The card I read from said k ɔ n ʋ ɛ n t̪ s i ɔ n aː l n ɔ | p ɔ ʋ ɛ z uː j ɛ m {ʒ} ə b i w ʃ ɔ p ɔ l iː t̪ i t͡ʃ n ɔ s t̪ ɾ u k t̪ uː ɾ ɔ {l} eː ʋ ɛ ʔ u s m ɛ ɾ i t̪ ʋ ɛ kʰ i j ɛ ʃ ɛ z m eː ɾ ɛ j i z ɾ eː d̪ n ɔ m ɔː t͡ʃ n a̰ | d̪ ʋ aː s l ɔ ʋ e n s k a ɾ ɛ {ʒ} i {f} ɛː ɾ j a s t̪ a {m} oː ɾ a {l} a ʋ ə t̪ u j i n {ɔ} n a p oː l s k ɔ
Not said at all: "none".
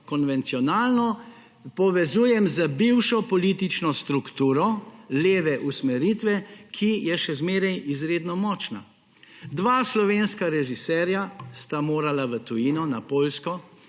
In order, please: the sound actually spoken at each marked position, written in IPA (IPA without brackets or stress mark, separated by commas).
z, l, ʒ, s, m, l, ɔ